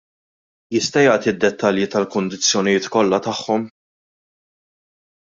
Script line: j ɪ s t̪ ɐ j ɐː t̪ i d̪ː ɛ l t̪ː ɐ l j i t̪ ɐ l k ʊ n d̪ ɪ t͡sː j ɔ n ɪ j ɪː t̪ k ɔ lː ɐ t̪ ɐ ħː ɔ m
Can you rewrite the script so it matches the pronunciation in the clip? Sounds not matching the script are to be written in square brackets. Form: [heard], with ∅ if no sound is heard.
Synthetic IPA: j ɪ s t̪ ɐ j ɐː t̪ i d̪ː ɛ [∅] t̪ː ɐ l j i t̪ ɐ l k ʊ n d̪ ɪ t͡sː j ɔ n ɪ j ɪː t̪ k ɔ lː ɐ t̪ ɐ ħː ɔ m